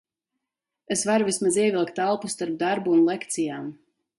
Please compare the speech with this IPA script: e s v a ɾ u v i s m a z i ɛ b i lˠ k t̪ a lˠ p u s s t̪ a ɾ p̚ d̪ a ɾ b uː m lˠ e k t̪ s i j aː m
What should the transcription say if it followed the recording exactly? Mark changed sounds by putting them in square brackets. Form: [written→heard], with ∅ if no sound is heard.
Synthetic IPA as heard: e s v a ɾ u v i s m a z i ɛ [b→v] i lˠ k t̪ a lˠ p u s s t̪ a ɾ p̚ d̪ a ɾ b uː [m→n] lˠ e k t̪ s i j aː m